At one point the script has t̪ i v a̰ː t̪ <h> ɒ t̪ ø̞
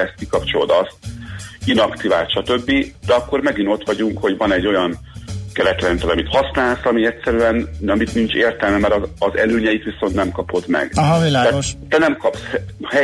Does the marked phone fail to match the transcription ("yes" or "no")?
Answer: yes